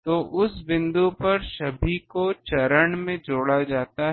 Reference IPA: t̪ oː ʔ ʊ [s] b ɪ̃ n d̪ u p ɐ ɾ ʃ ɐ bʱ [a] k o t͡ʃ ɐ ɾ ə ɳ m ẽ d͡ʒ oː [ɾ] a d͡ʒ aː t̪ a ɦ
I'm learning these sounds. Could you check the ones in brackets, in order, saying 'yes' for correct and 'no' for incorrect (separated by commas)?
yes, no, no